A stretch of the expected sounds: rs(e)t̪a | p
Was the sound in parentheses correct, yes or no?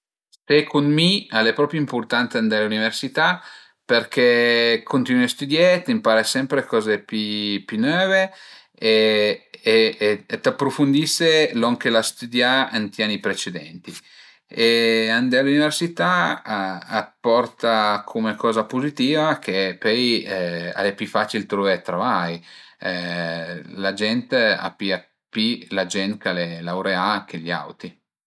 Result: no